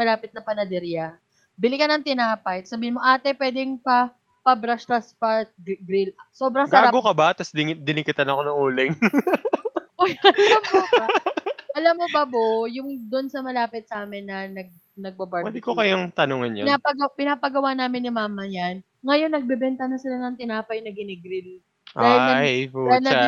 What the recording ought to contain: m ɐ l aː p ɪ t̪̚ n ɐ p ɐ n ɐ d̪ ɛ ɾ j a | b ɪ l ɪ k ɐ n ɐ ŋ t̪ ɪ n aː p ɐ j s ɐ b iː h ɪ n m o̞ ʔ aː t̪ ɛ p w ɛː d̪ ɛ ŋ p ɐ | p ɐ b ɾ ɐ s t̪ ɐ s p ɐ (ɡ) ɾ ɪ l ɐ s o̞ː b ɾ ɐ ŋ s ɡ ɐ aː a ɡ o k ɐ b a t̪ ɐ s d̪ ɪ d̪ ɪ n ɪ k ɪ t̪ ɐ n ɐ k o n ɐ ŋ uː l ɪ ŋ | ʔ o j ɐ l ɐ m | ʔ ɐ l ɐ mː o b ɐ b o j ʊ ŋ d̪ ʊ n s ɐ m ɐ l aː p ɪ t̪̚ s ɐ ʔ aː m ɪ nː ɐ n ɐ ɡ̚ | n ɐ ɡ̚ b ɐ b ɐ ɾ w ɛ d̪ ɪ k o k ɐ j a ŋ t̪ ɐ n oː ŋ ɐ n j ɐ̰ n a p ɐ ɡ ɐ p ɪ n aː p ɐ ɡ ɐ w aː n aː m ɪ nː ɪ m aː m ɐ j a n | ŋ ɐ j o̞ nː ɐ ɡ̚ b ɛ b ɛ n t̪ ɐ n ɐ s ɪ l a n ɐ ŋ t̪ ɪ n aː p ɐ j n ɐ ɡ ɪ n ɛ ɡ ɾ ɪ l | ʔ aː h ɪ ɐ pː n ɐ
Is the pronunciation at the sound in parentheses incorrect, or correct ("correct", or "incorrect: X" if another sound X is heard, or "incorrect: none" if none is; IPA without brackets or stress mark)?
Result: correct